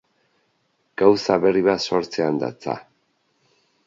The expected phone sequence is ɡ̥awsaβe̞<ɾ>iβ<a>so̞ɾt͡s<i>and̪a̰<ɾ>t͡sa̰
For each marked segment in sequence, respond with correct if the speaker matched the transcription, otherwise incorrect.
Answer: incorrect, correct, incorrect, incorrect

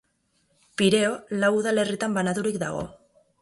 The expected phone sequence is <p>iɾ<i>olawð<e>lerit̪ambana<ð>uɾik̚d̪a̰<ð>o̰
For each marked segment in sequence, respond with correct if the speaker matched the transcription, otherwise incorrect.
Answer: correct, incorrect, incorrect, correct, incorrect

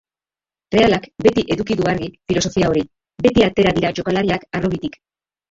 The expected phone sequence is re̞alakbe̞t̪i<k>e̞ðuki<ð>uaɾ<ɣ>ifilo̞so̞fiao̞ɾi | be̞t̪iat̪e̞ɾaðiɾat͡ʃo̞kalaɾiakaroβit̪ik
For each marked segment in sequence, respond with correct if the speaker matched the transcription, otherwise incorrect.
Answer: incorrect, correct, correct

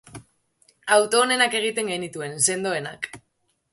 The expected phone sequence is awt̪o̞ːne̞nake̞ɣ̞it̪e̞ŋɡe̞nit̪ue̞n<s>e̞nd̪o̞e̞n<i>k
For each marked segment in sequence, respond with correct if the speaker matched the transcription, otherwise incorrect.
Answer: correct, incorrect

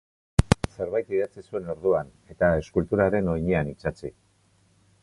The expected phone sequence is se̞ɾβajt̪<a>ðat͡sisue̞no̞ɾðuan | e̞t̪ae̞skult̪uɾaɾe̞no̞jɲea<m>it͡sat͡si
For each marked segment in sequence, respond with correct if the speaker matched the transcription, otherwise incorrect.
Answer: incorrect, incorrect

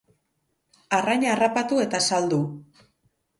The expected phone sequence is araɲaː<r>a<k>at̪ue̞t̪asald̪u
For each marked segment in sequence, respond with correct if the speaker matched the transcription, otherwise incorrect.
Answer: correct, incorrect

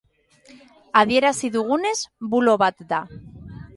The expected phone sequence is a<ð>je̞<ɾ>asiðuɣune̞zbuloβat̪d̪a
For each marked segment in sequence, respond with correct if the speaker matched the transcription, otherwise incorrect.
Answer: correct, correct

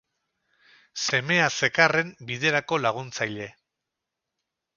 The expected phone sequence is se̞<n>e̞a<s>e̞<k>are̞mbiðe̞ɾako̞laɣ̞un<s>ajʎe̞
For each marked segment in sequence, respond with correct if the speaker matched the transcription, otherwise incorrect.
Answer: incorrect, correct, correct, incorrect

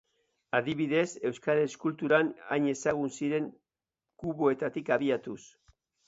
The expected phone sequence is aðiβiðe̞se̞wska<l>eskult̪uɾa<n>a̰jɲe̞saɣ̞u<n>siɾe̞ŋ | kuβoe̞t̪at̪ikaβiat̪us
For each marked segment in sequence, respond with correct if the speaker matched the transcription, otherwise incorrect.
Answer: incorrect, correct, correct

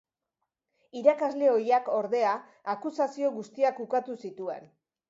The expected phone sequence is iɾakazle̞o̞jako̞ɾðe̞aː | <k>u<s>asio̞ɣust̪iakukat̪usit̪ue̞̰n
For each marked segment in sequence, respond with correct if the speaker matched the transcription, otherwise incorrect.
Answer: correct, correct

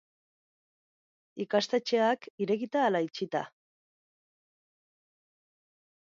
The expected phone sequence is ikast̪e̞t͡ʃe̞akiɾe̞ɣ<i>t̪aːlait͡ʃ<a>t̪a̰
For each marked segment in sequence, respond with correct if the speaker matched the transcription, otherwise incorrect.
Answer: correct, incorrect

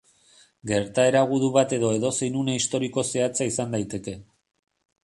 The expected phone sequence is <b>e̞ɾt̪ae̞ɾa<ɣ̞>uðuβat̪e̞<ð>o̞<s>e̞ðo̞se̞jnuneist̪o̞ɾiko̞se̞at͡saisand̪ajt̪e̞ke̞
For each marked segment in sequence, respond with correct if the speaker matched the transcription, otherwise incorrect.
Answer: incorrect, correct, correct, incorrect

